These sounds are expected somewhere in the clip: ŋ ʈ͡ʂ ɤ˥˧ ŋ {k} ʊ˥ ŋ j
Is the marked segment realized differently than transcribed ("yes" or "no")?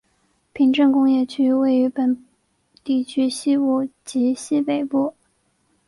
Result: no